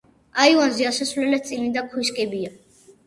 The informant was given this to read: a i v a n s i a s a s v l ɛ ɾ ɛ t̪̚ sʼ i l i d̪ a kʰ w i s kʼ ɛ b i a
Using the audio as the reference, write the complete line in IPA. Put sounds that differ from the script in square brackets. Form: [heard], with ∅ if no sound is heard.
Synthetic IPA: a i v a n [z] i a s a s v l ɛ [l] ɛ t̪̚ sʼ i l i d̪ a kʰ w i s kʼ ɛ b i a